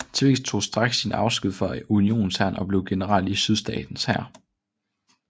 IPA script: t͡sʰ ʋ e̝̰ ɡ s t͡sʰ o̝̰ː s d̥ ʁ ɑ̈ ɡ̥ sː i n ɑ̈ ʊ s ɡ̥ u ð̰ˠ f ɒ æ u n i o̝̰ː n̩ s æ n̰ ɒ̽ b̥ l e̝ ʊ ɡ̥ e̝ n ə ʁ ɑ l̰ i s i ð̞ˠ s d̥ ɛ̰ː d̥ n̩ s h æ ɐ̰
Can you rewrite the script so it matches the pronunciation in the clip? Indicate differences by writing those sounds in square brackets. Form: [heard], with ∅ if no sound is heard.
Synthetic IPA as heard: t͡sʰ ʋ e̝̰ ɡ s t͡sʰ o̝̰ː s d̥ ʁ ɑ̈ ɡ̥ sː i n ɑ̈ ʊ s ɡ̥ u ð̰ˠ f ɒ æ u n i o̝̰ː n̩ s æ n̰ ɒ̽ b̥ l e̝ ʊ ɡ̥ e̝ n ə ʁ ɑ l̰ i s [y] ð̞ˠ s d̥ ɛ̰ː d̥ n̩ s h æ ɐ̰